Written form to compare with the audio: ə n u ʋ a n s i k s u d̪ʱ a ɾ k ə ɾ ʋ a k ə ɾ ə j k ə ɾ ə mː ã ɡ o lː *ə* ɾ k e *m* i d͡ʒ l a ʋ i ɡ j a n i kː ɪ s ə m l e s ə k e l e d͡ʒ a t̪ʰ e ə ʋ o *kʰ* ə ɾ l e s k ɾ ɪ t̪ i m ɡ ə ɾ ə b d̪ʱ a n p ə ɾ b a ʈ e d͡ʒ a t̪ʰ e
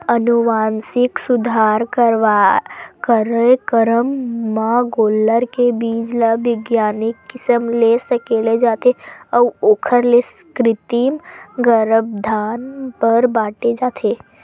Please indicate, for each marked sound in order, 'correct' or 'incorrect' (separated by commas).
correct, incorrect, correct